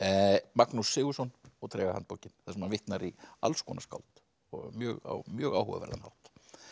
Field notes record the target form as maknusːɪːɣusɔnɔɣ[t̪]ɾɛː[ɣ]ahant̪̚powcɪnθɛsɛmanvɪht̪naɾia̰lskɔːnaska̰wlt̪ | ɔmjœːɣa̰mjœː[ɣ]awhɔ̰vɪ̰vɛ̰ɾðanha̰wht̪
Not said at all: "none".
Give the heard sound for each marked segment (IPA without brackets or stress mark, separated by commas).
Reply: t̪ʰ, ɣ, ɣ